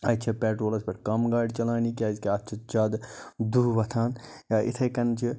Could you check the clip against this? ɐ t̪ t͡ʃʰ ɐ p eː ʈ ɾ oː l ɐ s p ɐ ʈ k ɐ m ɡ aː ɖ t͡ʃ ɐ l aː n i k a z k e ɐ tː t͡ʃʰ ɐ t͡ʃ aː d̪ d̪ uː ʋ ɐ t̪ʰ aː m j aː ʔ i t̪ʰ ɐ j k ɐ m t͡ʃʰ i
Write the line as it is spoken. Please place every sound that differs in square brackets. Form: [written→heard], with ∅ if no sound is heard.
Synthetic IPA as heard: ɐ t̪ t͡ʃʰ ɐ p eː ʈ ɾ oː l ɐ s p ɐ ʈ k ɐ m ɡ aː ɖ t͡ʃ ɐ l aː n i k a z k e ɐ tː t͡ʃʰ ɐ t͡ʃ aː d̪ d̪ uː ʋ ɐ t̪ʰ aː [m→n] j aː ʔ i t̪ʰ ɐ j k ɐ [m→n] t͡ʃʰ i